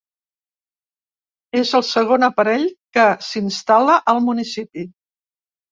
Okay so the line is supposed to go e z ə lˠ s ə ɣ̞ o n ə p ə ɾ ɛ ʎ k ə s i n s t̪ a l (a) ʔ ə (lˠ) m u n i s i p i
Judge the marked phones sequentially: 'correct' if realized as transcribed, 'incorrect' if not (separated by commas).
incorrect, correct